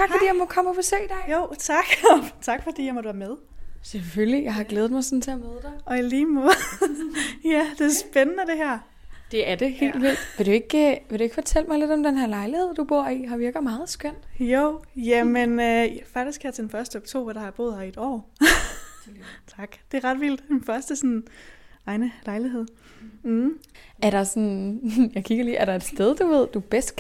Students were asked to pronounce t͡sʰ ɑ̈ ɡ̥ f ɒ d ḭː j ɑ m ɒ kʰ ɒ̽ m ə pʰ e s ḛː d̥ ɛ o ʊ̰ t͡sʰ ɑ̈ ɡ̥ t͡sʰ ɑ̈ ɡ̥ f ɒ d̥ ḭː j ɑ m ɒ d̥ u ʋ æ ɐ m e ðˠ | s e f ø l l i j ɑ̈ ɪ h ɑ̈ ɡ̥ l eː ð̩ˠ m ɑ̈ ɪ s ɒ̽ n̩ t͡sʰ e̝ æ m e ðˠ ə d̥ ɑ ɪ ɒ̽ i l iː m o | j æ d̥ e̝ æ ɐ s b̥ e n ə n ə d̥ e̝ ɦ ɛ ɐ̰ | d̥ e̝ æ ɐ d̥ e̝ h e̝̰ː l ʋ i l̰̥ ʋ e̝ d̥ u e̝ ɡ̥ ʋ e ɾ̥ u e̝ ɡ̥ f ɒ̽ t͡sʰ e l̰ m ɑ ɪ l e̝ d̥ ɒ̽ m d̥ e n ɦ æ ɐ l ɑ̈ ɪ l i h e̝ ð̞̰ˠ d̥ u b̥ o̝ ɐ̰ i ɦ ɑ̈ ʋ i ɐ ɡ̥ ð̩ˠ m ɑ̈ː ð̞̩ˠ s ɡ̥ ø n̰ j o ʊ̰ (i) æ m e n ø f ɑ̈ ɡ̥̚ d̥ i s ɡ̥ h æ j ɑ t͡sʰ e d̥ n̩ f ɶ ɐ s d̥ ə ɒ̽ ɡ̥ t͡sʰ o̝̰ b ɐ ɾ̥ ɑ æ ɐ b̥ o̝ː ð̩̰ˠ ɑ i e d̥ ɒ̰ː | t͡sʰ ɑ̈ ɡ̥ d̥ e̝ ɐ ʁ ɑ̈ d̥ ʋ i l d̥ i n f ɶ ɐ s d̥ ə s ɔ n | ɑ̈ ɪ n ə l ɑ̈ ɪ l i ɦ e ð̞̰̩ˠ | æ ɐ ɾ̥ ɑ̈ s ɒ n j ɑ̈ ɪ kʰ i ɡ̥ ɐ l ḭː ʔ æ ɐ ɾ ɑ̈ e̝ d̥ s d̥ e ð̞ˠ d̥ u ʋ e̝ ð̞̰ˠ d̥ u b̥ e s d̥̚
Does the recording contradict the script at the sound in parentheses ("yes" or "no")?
yes